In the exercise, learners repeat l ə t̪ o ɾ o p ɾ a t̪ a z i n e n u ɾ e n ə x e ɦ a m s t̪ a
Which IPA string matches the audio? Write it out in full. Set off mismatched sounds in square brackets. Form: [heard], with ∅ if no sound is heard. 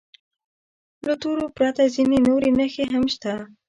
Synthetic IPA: l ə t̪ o ɾ o p ɾ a t̪ a z i n e n [o] ɾ e n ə x e ɦ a m [ʃ] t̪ a